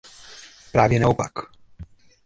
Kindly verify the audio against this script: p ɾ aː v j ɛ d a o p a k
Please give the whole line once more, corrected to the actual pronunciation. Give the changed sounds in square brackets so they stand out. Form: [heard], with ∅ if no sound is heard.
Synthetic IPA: p ɾ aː v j ɛ [n] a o p a k